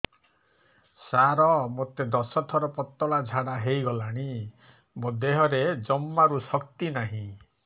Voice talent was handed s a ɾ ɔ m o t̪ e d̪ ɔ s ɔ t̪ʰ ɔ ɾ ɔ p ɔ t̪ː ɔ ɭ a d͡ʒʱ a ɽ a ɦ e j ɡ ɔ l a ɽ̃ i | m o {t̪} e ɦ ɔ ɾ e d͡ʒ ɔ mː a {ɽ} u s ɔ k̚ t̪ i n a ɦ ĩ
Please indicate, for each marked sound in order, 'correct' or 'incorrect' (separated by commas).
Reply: incorrect, incorrect